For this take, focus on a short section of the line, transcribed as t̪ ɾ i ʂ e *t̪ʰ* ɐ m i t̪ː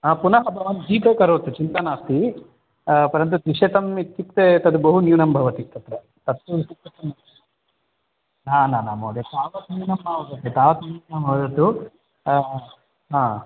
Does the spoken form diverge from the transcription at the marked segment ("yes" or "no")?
yes